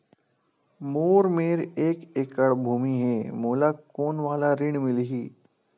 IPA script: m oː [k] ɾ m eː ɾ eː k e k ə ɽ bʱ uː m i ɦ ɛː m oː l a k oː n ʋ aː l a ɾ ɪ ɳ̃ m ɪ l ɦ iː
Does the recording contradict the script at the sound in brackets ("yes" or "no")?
yes